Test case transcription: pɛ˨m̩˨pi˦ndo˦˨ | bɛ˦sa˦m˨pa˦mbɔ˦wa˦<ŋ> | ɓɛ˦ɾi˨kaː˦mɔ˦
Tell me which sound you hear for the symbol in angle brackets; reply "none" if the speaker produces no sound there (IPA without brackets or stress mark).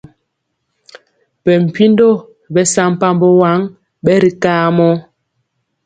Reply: ŋ